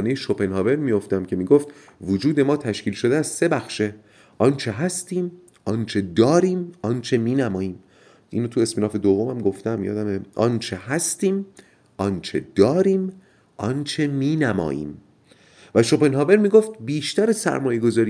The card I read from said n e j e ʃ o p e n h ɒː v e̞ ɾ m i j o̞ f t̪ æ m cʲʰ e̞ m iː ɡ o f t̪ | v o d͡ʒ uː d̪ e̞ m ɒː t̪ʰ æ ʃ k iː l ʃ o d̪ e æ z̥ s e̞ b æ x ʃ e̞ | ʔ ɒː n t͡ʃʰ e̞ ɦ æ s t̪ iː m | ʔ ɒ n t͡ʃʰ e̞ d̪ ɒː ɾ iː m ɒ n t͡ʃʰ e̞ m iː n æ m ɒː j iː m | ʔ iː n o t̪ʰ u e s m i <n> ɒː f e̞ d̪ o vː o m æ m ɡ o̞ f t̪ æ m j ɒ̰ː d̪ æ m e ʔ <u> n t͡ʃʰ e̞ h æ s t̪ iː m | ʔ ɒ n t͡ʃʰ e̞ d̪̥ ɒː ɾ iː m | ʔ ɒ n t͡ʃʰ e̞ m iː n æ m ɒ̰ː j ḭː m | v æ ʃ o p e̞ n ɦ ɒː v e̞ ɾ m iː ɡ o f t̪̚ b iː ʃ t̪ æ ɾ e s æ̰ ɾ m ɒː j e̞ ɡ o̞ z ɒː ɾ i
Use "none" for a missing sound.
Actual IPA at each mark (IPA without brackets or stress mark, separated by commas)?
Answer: n, ɒ